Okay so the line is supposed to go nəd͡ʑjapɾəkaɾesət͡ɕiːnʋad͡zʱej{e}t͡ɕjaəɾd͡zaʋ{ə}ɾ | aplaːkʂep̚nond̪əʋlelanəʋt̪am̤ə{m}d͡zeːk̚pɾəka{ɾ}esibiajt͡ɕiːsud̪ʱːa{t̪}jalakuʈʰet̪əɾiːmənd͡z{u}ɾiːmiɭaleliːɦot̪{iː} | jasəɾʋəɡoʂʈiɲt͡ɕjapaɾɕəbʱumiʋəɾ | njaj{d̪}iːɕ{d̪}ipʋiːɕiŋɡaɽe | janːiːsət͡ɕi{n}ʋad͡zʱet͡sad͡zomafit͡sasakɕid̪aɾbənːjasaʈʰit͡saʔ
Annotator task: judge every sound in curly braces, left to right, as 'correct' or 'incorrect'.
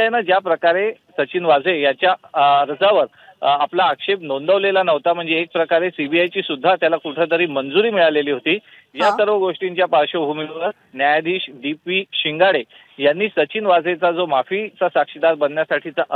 incorrect, correct, incorrect, correct, correct, correct, correct, correct, correct, correct

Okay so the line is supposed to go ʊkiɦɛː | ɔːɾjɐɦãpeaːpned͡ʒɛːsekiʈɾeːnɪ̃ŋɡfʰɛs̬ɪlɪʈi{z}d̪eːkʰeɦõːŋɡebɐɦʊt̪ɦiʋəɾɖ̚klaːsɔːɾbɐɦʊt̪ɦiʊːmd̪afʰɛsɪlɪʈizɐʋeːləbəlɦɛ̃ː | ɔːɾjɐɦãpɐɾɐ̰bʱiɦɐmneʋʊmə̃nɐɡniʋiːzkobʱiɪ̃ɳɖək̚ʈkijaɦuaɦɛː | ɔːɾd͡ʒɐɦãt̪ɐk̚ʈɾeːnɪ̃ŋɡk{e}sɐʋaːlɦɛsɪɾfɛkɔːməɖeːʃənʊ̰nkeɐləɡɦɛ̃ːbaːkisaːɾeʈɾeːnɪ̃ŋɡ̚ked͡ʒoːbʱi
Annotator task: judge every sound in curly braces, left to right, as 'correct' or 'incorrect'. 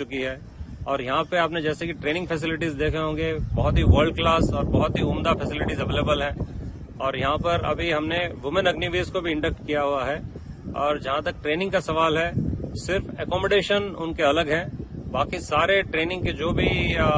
correct, incorrect

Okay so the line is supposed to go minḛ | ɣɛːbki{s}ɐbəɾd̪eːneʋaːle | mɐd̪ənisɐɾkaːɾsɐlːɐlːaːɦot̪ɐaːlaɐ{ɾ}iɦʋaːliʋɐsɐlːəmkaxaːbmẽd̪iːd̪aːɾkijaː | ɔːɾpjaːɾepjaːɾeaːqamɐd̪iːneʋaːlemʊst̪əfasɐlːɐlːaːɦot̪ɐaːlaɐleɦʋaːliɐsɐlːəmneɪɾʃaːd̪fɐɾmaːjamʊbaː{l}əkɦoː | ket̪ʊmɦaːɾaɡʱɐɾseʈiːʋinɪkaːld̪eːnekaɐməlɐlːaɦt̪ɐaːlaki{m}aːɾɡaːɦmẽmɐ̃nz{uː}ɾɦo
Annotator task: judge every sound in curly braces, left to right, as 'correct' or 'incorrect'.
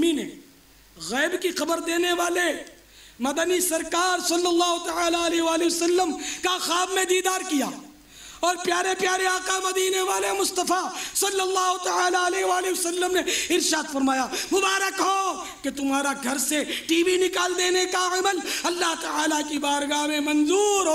incorrect, incorrect, incorrect, incorrect, correct

